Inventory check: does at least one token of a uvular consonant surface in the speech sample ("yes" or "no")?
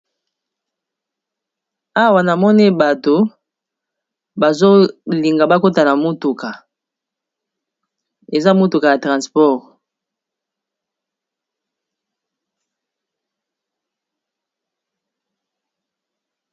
yes